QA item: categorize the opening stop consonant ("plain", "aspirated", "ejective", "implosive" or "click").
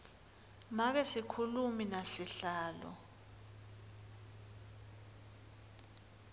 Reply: plain